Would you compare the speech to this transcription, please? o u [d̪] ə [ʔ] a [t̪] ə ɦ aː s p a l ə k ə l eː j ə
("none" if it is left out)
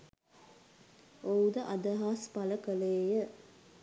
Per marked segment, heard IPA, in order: d̪, ʔ, d̪

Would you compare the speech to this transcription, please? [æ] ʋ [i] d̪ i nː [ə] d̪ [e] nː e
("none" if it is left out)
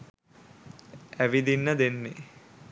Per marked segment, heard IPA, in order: æ, i, ə, e

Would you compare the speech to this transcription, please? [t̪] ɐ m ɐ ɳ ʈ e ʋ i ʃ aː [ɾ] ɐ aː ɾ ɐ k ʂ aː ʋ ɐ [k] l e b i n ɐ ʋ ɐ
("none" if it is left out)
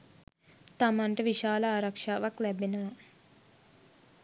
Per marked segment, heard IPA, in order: t̪, l, k

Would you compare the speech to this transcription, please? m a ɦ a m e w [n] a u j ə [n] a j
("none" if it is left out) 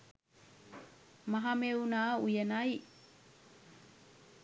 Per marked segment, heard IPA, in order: n, n

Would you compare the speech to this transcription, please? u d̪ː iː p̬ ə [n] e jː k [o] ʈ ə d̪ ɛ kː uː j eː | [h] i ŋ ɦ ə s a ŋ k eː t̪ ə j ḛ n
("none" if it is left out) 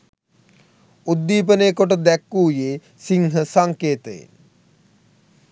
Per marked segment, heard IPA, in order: n, o, s

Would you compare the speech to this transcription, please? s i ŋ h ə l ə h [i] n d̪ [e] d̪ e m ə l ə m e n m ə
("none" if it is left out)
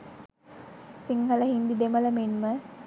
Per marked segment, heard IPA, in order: i, i

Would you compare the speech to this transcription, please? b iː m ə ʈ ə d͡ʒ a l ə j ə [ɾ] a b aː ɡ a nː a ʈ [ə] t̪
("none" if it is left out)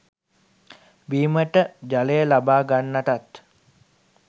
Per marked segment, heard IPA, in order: l, a

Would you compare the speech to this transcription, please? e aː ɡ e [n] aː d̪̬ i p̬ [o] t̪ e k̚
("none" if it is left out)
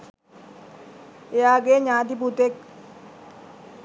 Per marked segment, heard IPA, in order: ɲ, u

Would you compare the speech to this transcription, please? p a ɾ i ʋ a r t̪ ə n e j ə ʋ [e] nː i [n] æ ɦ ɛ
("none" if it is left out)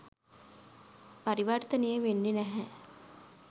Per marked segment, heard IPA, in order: e, n

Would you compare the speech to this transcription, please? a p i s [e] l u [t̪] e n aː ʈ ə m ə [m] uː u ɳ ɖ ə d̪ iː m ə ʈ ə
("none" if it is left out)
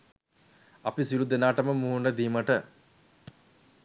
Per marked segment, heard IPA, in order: i, d̪, m

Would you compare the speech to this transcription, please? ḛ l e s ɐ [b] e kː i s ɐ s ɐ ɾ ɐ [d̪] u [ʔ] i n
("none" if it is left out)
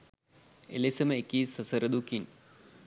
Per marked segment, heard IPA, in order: m, d̪, k

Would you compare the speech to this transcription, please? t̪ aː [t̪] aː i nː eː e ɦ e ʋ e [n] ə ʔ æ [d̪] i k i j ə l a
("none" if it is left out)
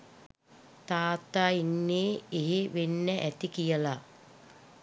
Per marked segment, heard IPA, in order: t̪, nː, t̪

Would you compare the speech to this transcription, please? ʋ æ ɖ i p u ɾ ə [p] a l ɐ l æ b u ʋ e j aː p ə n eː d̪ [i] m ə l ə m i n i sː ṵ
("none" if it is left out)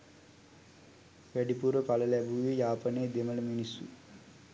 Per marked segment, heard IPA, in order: p, e

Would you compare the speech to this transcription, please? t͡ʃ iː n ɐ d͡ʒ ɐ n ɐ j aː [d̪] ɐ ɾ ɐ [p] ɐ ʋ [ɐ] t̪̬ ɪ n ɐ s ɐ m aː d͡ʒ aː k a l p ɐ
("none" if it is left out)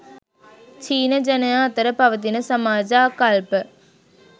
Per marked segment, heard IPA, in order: t̪, p, ɐ

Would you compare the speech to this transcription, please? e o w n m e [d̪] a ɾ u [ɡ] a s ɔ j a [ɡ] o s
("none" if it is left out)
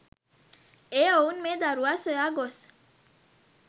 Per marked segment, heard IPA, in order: d̪, none, ɡ

